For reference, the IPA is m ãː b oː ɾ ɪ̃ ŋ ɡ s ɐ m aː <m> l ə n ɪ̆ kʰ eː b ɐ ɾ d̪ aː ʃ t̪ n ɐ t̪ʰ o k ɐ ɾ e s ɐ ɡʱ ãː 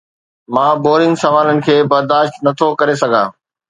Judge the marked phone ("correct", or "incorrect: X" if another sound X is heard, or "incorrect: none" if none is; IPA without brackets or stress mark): incorrect: none